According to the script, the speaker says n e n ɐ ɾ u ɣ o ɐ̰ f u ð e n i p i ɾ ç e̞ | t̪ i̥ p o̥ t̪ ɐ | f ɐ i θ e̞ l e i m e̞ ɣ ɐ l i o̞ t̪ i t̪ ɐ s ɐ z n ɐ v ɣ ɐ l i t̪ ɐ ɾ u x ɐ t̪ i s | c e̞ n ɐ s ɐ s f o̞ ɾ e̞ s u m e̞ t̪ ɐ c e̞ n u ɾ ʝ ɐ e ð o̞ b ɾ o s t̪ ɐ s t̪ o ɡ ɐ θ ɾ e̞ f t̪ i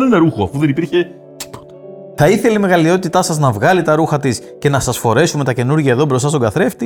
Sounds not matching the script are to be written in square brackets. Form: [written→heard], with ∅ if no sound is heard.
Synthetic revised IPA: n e n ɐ ɾ u [ɣ→x] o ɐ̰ f u ð e n i p i ɾ ç e̞ | t̪ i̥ p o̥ t̪ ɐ | [f→θ] ɐ i θ e̞ l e i m e̞ ɣ ɐ l i o̞ t̪ i t̪ ɐ s ɐ z n ɐ v ɣ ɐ l i t̪ ɐ ɾ u x ɐ t̪ i s | c e̞ n ɐ s ɐ s f o̞ ɾ e̞ s u m e̞ t̪ ɐ c e̞ n u ɾ ʝ ɐ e ð o̞ b ɾ o s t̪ ɐ s t̪ o ɡ ɐ θ ɾ e̞ f t̪ i